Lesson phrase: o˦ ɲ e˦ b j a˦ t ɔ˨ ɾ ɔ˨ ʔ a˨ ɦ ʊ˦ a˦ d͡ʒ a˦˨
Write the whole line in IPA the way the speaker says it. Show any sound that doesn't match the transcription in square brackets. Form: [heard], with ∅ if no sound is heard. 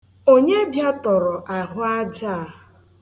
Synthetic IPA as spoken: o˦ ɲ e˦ b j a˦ t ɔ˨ ɾ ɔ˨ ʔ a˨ ɦ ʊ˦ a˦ d͡ʒ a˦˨